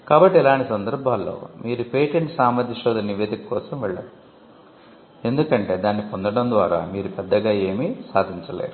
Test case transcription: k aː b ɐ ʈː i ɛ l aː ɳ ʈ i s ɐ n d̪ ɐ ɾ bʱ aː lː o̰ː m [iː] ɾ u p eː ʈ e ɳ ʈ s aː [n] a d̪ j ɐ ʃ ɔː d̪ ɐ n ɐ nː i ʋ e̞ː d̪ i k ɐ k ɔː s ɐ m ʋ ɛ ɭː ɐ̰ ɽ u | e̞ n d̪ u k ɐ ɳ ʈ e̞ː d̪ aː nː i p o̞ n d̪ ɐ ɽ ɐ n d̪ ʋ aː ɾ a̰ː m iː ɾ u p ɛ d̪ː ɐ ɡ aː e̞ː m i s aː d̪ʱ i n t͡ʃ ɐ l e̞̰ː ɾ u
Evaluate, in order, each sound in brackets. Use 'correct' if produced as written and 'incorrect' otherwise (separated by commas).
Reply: correct, incorrect